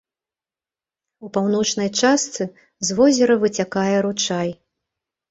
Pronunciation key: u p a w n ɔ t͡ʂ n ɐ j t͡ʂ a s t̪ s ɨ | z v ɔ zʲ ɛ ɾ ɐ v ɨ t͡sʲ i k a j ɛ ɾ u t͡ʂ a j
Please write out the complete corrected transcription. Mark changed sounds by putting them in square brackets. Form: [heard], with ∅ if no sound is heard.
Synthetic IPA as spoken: u p a w n ɔ t͡ʂ n ɐ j t͡ʂ a s t̪ s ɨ | z v ɔ zʲ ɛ ɾ ɐ v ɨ t͡sʲ [a] k a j ɛ ɾ u t͡ʂ a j